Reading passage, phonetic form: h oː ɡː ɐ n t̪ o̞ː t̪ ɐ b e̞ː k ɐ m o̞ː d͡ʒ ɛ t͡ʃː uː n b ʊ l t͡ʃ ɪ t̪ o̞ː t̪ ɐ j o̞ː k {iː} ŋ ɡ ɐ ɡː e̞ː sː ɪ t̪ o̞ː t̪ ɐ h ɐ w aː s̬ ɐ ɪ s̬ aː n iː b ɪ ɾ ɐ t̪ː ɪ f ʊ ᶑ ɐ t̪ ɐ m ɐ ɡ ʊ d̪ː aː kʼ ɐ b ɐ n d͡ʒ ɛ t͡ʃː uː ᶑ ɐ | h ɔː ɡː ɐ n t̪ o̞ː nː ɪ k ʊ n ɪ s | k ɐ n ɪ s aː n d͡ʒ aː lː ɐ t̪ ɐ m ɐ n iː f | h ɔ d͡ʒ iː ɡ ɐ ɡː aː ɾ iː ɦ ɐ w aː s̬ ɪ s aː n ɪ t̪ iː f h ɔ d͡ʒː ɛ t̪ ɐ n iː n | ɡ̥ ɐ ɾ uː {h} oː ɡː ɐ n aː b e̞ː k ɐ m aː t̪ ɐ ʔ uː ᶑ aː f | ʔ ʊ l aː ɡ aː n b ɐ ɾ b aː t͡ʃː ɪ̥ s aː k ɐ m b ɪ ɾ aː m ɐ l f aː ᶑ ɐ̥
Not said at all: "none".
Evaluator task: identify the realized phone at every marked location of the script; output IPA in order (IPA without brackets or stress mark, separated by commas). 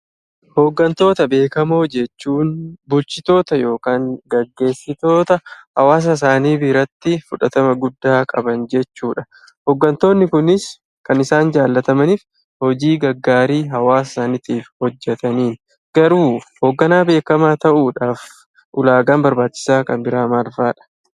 aː, h